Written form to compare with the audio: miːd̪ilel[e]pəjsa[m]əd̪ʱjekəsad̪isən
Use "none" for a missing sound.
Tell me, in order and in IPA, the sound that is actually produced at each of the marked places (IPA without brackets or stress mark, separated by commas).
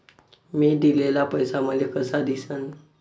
a, m